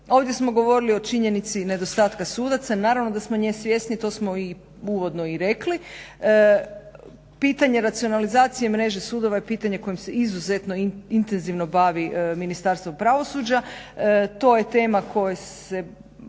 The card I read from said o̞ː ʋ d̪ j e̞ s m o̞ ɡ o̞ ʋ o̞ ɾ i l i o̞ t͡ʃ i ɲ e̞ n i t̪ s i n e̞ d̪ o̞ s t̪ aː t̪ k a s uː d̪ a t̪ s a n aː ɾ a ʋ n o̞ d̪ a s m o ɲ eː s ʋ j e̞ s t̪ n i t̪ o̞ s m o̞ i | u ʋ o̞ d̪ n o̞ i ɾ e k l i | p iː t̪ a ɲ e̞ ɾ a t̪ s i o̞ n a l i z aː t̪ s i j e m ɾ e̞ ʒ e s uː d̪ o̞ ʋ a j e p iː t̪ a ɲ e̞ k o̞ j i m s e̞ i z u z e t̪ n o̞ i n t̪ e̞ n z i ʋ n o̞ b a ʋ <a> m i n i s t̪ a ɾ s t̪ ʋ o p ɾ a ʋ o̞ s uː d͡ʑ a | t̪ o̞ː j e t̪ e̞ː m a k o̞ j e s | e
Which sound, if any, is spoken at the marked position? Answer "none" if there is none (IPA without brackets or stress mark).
i